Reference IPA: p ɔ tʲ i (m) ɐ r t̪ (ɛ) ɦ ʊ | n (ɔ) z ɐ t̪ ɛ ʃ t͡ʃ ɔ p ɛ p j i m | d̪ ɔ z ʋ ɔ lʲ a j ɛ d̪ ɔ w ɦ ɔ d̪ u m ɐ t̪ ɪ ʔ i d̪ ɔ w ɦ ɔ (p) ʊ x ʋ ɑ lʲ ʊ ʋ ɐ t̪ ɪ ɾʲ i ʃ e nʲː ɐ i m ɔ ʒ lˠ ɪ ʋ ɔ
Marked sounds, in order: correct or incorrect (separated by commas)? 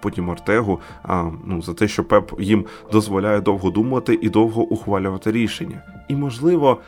correct, correct, incorrect, incorrect